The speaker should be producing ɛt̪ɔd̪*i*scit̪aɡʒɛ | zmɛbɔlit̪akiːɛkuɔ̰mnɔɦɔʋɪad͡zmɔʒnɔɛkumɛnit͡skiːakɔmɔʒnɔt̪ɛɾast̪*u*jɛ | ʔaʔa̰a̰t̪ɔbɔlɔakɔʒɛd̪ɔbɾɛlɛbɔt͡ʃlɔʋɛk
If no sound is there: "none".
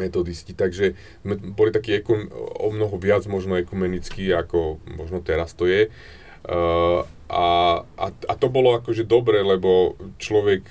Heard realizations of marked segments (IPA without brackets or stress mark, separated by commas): i, ɔ